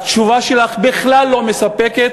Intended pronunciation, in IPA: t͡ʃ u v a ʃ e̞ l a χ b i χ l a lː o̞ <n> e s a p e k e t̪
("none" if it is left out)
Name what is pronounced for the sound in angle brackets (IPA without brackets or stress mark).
m